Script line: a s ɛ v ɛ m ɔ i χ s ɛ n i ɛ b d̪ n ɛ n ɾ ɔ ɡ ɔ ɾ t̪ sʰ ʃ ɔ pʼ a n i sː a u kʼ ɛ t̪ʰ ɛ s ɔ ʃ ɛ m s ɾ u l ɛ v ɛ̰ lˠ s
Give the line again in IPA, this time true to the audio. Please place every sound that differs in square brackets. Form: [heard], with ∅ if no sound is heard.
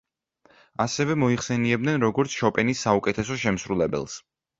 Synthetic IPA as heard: a s ɛ v ɛ m ɔ i χ s ɛ n i ɛ b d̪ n ɛ n ɾ ɔ ɡ ɔ ɾ t̪ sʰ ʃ ɔ pʼ [ɛ] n i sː a u kʼ ɛ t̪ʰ ɛ s ɔ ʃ ɛ m s ɾ u l ɛ [b] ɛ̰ lˠ s

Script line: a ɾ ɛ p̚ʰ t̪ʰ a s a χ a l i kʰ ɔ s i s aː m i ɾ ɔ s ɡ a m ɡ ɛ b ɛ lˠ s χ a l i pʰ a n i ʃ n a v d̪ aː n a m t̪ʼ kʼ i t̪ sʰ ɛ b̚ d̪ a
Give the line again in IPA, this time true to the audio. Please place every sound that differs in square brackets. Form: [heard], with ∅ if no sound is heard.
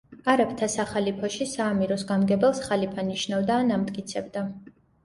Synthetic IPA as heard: a ɾ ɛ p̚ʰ t̪ʰ a s a χ a l i [pʰ] ɔ [ʃ] i s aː m i ɾ ɔ s ɡ a m ɡ ɛ b ɛ lˠ s χ a l i pʰ a n i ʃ n a v d̪ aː n a m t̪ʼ kʼ i t̪ sʰ ɛ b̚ d̪ a

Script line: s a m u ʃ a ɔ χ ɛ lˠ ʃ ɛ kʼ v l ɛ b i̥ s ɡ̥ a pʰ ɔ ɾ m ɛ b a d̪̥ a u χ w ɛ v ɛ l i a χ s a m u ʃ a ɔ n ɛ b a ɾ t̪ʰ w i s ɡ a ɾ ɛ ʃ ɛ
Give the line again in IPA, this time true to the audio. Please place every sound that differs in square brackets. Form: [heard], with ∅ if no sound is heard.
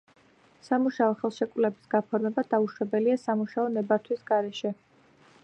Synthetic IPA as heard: s a m u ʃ a ɔ χ ɛ lˠ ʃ ɛ kʼ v l ɛ b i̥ s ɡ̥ a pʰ ɔ ɾ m ɛ b a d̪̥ a u [ʃ] w ɛ [b] ɛ l i a [∅] s a m u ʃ a ɔ n ɛ b a ɾ t̪ʰ w i s ɡ a ɾ ɛ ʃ ɛ

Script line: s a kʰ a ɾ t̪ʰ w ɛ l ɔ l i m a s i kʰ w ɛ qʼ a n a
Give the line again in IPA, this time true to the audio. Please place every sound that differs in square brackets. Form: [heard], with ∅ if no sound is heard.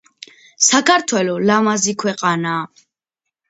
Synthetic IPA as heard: s a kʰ a ɾ t̪ʰ w ɛ l ɔ l [a] m a [z] i kʰ w ɛ qʼ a n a

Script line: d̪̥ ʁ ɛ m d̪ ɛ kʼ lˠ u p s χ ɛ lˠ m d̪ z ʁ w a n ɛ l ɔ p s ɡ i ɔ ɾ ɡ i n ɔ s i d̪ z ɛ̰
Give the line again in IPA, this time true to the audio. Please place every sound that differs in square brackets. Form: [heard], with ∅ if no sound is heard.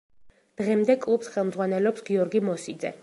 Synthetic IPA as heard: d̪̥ ʁ ɛ m d̪ ɛ kʼ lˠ u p s χ ɛ lˠ m d̪ z ʁ w a n ɛ l ɔ p s ɡ i ɔ ɾ ɡ i [m] ɔ s i d̪ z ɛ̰

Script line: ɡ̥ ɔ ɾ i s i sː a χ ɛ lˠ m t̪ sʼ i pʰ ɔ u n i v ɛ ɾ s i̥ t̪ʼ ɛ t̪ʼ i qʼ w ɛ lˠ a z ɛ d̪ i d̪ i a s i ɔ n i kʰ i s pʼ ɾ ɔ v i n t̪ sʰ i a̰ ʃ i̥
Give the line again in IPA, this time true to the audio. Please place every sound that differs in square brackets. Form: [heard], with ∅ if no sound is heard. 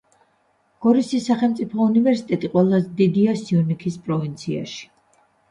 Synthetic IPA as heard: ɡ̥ ɔ ɾ i s i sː a χ ɛ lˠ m t̪ sʼ i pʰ ɔ u n i v ɛ ɾ s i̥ t̪ʼ ɛ t̪ʼ i qʼ w ɛ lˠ a z ɛ d̪ i d̪ i a s i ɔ n i kʰ i s pʼ ɾ ɔ v i n t̪ sʰ i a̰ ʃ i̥

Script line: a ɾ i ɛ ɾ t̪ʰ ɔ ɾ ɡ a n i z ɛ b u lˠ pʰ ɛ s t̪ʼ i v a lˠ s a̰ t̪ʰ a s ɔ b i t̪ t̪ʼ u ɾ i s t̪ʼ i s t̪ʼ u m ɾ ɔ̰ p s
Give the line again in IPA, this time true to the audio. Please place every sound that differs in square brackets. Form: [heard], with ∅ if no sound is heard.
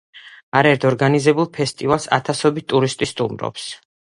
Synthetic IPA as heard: a ɾ [a] ɛ ɾ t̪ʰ ɔ ɾ ɡ a n i z ɛ b u lˠ pʰ ɛ s t̪ʼ i v a lˠ s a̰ t̪ʰ a s ɔ b i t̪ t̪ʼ u ɾ i s t̪ʼ i s t̪ʼ u m ɾ ɔ̰ p s

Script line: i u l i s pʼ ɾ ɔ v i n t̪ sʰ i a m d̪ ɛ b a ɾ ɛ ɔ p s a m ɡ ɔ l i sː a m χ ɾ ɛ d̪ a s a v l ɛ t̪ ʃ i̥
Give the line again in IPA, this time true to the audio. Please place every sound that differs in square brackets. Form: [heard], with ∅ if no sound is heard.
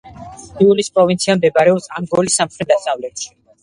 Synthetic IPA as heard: i u l i s pʼ ɾ ɔ v i n t̪ sʰ i a m d̪ ɛ b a ɾ ɛ ɔ p s a m ɡ ɔ l i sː a m χ ɾ ɛ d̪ a s a v l ɛ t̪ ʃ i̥

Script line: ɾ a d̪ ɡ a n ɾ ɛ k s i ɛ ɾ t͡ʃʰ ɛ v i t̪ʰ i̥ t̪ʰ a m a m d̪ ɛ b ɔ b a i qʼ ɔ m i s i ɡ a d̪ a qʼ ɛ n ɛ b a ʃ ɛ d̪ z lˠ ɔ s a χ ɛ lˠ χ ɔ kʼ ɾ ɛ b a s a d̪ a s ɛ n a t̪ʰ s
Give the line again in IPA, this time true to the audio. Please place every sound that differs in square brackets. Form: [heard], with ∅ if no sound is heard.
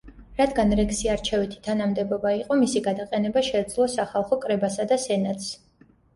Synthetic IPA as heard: ɾ a d̪ ɡ a n ɾ ɛ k s i [a] ɾ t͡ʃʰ ɛ v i t̪ʰ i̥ t̪ʰ a [n] a m d̪ ɛ b ɔ b a i qʼ ɔ m i s i ɡ a d̪ a qʼ ɛ n ɛ b a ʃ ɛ d̪ z lˠ ɔ s a χ [a] lˠ χ ɔ kʼ ɾ ɛ b a s a d̪ a s ɛ n a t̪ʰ s

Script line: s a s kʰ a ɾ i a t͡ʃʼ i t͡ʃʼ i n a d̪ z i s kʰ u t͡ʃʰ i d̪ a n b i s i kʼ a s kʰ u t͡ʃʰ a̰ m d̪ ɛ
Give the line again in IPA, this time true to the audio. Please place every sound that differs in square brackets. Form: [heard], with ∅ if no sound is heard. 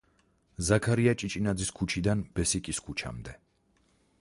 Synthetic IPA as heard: [z] a [∅] kʰ a ɾ i a t͡ʃʼ i t͡ʃʼ i n a d̪ z i s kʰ u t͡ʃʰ i d̪ a n b [ɛ] s i kʼ [i] s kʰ u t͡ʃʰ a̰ m d̪ ɛ

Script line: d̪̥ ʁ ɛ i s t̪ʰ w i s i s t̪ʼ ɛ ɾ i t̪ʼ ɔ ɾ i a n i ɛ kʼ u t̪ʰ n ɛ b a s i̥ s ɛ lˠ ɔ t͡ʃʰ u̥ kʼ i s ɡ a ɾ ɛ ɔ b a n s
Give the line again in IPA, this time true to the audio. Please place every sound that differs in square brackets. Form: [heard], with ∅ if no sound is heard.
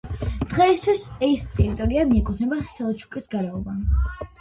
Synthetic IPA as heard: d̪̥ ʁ ɛ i s t̪ʰ w i s [ɛ] s t̪ʼ ɛ ɾ i t̪ʼ ɔ ɾ i a [m] i ɛ kʼ u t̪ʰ n ɛ b a [χ] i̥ s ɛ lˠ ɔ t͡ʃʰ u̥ kʼ i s ɡ a ɾ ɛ ɔ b a n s

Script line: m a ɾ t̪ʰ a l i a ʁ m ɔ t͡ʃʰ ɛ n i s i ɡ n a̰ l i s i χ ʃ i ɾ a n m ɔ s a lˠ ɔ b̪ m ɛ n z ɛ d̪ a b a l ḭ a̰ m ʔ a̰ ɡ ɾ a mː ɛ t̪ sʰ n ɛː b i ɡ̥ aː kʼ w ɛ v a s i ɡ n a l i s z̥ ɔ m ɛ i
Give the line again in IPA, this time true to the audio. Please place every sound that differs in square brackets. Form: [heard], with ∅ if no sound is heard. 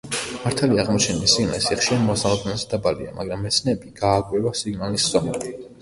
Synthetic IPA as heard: m a ɾ t̪ʰ a l i a ʁ m ɔ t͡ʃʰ ɛ n i s i ɡ n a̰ l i s i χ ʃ i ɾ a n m ɔ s a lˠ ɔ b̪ [n] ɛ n z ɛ d̪ a b a l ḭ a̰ m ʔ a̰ ɡ ɾ a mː ɛ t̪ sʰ n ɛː b i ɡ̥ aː kʼ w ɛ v a s i ɡ n a l i s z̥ ɔ m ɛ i

